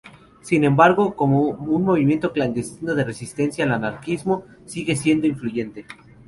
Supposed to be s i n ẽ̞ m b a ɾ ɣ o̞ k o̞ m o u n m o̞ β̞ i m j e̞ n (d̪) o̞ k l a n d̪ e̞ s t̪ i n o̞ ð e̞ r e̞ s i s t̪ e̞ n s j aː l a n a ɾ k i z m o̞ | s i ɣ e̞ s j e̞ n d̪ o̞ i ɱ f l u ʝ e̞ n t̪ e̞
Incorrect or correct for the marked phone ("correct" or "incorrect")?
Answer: incorrect